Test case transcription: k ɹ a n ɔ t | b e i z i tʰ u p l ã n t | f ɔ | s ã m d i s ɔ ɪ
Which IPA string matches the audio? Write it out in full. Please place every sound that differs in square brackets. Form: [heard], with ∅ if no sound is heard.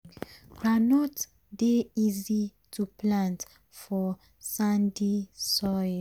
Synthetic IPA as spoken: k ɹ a n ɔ t | [d] e i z i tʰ u p l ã n t | f ɔ | s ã [n] d i s ɔ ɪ